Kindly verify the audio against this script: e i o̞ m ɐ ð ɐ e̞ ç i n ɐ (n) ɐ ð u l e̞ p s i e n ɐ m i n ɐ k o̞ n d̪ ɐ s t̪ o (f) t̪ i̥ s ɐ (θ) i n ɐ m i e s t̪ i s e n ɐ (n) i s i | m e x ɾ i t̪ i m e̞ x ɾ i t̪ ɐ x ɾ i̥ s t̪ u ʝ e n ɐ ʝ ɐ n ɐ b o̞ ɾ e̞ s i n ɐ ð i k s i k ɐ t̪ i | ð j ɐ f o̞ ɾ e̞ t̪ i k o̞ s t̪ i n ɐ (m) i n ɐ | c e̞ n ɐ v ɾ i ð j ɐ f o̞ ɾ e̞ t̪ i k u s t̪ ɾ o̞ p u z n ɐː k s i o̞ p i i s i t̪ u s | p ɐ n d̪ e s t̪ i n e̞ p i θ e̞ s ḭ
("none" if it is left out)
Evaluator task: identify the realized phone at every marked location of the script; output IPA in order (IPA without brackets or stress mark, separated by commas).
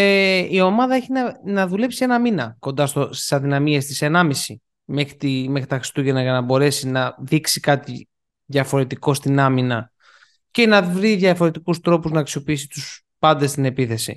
n, s, ð, m, m